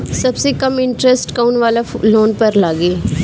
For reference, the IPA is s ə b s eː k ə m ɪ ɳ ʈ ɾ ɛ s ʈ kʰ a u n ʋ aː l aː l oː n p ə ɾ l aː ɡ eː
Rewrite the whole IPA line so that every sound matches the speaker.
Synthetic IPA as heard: s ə b s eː k ə m ɪ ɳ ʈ ɾ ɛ s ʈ k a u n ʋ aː l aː l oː n p ə ɾ l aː ɡ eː